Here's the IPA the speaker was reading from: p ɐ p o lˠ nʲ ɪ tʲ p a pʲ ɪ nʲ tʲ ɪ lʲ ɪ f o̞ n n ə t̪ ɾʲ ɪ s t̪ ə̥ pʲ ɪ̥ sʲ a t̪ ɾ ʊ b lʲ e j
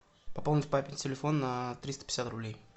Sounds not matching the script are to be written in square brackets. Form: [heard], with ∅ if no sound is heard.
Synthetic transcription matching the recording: p ɐ p o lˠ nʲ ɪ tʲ p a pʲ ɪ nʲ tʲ ɪ lʲ ɪ f o̞ n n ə t̪ ɾʲ [i] s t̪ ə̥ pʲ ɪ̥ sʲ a t̪ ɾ ʊ b lʲ e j

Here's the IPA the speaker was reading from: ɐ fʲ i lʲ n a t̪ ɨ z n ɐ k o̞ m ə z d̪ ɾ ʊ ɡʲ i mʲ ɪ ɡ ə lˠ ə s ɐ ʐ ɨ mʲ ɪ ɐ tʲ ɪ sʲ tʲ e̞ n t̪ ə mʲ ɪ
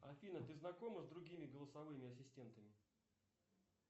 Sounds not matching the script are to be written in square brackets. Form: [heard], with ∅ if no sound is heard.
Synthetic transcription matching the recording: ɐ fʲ i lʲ n [ə] t̪ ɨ z n ɐ k o̞ m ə z d̪ ɾ ʊ ɡʲ i mʲ ɪ ɡ ə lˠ ə s ɐ [v] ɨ mʲ ɪ ɐ [sʲ] ɪ sʲ tʲ e̞ n t̪ ə mʲ ɪ

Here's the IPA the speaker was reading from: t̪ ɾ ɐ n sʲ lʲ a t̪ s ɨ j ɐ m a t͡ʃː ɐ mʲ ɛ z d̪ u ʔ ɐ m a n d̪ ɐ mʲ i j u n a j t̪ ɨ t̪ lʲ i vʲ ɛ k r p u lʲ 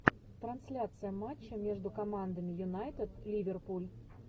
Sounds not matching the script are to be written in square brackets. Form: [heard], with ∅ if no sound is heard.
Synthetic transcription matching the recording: t̪ ɾ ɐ n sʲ lʲ a t̪ s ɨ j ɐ m a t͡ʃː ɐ mʲ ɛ [ʐ] d̪ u [k] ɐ m a n d̪ ɐ mʲ i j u n a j t̪ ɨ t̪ lʲ i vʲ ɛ [∅] r p u lʲ

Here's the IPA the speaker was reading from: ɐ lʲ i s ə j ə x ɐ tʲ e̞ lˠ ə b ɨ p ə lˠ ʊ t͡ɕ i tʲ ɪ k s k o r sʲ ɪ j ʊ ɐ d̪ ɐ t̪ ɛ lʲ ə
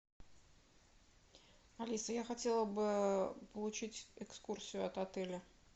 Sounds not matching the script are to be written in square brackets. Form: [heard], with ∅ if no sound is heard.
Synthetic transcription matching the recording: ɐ lʲ i s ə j [a] x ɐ tʲ e̞ lˠ ə b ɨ p ə lˠ ʊ t͡ɕ i tʲ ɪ k s k [u] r sʲ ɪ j ʊ ɐ [t̪] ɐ t̪ ɛ lʲ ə

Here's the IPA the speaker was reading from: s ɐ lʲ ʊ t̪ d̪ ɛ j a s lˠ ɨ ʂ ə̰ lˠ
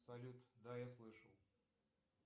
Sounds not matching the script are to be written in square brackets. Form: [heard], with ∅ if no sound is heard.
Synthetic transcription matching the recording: s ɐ lʲ [u] t̪ d̪ [a] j a s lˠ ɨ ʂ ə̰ lˠ

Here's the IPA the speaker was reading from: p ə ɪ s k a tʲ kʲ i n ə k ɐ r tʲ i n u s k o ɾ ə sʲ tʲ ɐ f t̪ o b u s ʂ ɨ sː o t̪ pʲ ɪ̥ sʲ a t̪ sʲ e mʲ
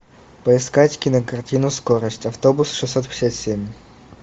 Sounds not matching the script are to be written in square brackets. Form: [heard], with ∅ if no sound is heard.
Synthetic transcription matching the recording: p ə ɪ s k a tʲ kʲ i n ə k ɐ r tʲ i n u s k o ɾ ə sʲ tʲ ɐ f t̪ o b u s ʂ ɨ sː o t̪ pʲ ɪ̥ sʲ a t̪ sʲ e mʲ

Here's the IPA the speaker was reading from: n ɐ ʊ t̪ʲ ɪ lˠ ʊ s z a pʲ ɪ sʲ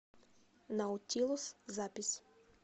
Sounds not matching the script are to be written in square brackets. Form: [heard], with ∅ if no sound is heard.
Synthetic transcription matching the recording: n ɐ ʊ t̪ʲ [i] lˠ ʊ s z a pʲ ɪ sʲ

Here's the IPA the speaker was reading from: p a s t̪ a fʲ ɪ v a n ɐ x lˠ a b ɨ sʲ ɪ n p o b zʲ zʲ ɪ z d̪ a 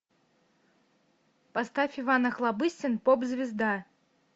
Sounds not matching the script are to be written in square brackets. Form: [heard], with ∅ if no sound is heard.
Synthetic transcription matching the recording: p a s t̪ a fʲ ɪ v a n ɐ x lˠ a b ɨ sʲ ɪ n p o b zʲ [vʲ] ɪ z d̪ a

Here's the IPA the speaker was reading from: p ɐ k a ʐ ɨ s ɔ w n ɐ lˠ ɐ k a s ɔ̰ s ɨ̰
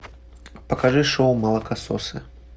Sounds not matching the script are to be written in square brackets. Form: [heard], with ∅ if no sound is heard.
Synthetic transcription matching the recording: p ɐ k a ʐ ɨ [ʂ] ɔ w [m] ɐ lˠ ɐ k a s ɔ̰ s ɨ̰

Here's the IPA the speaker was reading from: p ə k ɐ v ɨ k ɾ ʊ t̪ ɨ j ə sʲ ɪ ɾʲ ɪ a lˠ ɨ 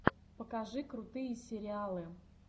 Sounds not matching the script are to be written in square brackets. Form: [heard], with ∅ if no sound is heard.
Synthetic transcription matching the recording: p ə k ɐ [ʐ] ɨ k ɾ ʊ t̪ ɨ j ə sʲ ɪ ɾʲ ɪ a lˠ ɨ

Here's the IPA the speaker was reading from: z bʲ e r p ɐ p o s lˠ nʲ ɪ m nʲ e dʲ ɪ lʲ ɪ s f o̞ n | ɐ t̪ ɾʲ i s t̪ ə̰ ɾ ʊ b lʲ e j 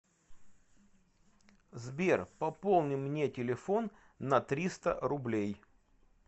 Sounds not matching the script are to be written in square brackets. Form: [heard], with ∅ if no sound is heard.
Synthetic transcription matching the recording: z bʲ e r p ɐ p o [∅] lˠ nʲ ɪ m nʲ e [tʲ] ɪ lʲ ɪ [∅] f o̞ [nː] | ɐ t̪ ɾʲ i s t̪ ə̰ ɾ ʊ b lʲ e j

